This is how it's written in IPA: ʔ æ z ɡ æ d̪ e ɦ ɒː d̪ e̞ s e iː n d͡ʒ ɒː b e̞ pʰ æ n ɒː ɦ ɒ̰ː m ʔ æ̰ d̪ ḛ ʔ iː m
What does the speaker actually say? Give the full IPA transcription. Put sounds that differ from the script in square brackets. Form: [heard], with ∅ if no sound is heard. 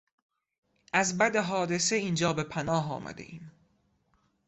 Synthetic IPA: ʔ æ z [b] æ d̪ e ɦ ɒː d̪ e̞ s e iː n d͡ʒ ɒː b e̞ pʰ æ n ɒː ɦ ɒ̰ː m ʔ æ̰ d̪ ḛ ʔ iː m